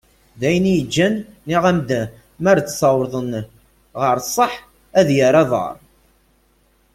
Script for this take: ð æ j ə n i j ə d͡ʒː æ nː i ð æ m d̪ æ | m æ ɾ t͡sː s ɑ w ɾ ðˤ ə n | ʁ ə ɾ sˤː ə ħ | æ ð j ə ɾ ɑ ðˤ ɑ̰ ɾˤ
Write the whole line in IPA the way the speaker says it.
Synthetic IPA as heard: ð æ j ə n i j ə d͡ʒː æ nː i ʁ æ m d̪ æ | m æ ɾ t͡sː s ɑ w ɾ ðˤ ə n | ʁ ə ɾ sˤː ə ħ | æ ð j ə ɾ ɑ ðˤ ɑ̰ ɾˤ